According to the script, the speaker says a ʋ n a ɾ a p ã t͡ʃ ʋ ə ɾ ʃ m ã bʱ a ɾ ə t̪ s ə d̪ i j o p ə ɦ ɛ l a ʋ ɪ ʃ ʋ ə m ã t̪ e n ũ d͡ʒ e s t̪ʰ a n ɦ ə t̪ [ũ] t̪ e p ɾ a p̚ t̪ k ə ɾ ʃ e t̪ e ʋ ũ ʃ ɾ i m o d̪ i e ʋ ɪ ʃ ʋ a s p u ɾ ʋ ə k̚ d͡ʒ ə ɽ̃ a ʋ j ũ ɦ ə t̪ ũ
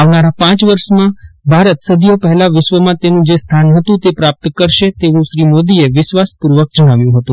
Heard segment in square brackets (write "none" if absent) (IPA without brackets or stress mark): ũ